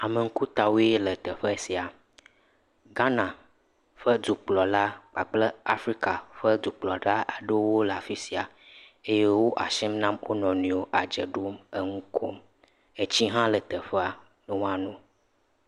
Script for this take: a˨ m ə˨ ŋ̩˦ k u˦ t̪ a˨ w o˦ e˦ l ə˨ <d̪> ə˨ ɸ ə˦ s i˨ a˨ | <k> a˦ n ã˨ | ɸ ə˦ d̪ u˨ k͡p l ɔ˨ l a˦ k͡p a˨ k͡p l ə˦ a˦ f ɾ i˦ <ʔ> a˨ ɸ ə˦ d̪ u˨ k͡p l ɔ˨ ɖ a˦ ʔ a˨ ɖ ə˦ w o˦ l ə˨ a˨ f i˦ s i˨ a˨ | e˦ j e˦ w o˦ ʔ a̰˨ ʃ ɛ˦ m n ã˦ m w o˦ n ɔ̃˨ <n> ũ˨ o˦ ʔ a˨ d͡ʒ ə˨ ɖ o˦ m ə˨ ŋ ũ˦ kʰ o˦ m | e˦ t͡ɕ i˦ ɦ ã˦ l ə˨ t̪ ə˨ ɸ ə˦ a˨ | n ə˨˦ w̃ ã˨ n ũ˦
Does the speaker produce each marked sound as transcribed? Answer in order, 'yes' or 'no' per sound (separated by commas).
no, no, no, yes